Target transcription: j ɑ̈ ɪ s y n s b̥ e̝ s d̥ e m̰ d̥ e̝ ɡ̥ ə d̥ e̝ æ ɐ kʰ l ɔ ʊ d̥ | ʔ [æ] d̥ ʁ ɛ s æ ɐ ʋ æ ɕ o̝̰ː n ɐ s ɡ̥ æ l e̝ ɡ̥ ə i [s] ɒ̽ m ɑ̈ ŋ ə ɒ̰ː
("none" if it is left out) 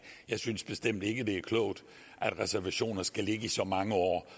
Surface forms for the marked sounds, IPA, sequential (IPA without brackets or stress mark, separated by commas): æ, s